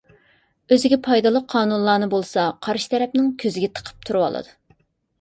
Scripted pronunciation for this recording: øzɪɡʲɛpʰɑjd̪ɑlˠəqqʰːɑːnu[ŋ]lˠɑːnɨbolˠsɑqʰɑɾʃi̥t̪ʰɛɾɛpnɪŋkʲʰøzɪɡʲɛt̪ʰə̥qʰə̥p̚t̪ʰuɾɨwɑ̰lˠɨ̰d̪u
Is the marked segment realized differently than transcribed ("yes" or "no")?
yes